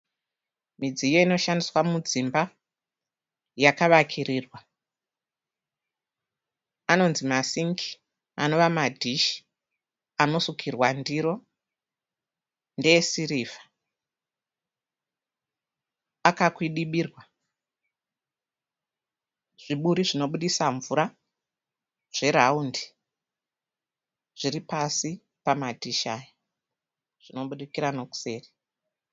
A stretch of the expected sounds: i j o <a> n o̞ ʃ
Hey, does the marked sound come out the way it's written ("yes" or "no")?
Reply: no